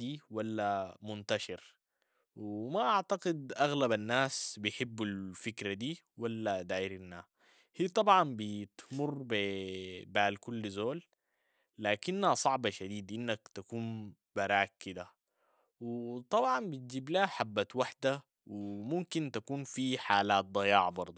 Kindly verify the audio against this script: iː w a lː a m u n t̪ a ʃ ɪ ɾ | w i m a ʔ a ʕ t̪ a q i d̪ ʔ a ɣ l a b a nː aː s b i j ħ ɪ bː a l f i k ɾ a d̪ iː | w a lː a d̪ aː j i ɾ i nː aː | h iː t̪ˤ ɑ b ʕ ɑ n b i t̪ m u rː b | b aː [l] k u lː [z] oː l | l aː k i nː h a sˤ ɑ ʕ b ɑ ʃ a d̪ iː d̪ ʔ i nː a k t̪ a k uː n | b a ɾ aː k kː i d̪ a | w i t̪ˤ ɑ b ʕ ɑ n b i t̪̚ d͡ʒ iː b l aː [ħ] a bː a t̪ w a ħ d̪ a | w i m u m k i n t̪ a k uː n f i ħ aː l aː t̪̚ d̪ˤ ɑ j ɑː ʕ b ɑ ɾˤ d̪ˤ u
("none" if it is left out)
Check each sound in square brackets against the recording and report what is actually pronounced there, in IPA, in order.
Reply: l, z, ħ

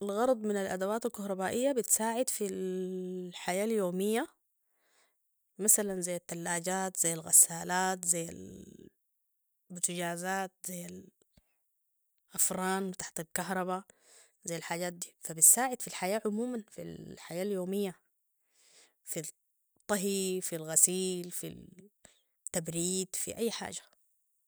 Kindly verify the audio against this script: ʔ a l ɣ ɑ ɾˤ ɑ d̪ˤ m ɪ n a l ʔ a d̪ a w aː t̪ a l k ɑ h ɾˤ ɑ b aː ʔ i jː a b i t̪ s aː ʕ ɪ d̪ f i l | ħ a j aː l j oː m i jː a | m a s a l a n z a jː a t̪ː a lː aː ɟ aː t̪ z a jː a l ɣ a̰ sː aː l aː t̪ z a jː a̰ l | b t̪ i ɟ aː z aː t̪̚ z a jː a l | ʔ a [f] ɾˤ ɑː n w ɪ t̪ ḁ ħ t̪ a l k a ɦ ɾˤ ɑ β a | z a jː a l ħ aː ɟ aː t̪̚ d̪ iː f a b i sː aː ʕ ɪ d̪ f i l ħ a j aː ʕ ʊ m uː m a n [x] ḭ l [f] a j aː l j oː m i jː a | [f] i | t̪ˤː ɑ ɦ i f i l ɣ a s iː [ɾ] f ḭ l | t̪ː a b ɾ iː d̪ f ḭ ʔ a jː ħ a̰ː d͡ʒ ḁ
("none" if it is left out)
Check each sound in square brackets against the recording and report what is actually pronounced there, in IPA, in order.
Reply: f, f, ħ, f, l

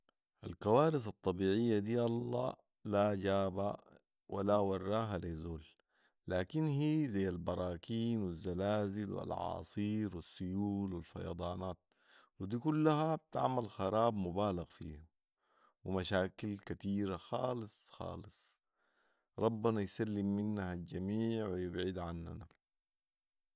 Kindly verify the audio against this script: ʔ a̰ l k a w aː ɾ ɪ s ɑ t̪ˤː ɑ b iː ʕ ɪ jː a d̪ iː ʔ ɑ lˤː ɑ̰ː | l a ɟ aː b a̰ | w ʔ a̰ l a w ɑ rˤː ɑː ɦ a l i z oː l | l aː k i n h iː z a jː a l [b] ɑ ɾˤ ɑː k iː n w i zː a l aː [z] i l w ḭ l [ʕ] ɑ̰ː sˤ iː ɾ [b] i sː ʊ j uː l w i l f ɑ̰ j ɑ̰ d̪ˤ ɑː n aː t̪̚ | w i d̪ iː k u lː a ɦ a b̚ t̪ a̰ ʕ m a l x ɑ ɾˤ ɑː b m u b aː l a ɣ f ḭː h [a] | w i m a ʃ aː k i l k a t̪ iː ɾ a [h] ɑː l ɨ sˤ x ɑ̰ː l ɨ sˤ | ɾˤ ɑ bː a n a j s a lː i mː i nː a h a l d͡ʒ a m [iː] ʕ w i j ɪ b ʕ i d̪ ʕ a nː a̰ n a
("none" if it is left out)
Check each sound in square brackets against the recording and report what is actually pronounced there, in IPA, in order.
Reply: b, z, ʕ, w, a, x, iː

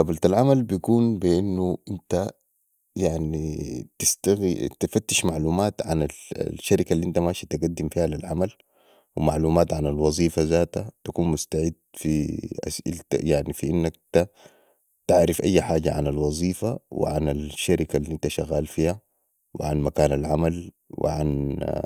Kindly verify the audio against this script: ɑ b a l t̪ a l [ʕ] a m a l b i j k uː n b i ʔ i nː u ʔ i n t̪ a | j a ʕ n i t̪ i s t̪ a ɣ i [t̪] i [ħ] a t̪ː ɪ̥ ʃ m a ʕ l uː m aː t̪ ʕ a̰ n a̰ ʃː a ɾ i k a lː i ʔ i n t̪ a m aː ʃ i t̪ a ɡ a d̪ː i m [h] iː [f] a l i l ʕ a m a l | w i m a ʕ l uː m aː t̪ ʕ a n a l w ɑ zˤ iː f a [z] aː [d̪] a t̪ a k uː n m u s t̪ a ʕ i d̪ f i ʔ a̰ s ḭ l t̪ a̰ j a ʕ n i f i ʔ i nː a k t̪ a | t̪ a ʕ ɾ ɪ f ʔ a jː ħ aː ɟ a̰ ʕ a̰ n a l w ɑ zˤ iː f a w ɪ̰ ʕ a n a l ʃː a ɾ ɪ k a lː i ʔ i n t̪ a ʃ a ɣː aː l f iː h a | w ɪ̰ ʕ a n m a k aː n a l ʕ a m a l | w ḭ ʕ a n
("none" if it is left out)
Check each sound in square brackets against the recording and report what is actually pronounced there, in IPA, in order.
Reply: ʕ, t̪, f, f, h, z, t̪

